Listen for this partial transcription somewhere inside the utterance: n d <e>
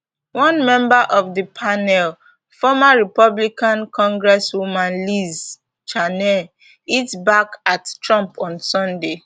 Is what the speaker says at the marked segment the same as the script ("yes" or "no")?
yes